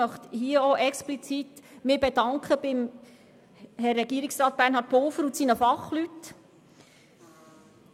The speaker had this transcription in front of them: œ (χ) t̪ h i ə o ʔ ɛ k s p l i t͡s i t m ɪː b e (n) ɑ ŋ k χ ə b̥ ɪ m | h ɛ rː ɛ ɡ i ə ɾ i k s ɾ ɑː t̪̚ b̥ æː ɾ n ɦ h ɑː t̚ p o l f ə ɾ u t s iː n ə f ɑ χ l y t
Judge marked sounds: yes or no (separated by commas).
yes, no